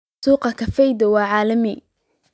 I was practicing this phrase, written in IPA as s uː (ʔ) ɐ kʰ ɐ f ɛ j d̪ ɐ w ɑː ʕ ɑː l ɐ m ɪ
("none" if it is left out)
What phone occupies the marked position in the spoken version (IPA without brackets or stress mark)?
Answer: q